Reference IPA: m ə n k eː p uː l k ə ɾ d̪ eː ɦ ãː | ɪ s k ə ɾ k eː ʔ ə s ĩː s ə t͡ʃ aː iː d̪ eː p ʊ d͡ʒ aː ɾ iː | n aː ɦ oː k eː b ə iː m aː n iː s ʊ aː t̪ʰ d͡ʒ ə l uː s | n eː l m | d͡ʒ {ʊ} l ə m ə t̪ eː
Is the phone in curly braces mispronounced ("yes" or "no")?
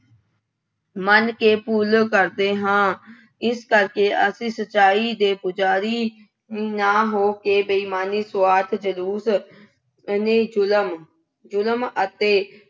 no